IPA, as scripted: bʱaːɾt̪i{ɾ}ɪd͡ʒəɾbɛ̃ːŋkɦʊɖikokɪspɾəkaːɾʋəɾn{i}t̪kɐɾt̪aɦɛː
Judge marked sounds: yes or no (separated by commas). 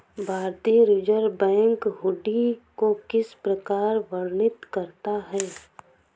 yes, no